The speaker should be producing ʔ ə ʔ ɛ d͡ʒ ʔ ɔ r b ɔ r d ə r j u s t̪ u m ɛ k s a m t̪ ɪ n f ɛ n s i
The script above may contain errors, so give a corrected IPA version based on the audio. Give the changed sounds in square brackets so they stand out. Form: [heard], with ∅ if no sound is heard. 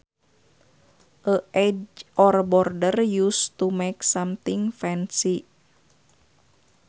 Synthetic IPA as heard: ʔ ə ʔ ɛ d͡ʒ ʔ ɔ r b ɔ r d ə r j u s t̪ u m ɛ k s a m t̪ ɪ [ŋ] f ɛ n s i